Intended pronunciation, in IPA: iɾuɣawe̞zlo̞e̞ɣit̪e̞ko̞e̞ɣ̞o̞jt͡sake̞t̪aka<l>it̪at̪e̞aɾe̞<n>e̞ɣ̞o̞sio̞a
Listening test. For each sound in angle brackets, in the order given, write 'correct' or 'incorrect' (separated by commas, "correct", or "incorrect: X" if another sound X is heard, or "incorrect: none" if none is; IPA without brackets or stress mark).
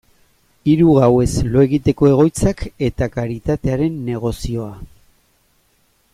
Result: incorrect: ɾ, incorrect: nː